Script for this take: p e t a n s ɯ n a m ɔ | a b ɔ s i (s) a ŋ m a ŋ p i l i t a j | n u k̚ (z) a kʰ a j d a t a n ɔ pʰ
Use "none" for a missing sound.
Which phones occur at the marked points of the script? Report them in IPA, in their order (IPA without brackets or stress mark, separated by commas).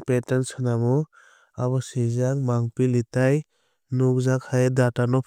z, z